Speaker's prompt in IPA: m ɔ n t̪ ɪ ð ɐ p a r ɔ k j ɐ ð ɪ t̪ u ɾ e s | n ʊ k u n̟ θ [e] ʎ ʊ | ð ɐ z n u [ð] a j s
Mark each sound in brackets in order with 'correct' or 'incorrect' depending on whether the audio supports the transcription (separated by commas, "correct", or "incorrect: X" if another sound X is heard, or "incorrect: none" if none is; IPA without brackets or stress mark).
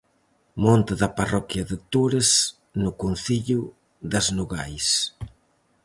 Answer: incorrect: i, incorrect: ɣ